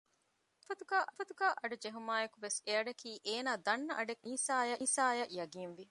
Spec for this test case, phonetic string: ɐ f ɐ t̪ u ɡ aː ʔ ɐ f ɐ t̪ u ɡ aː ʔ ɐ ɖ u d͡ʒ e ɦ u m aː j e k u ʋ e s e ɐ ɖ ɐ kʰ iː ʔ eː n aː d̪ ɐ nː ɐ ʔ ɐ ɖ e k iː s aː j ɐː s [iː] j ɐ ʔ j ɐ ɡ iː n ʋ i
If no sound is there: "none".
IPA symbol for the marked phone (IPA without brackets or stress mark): aː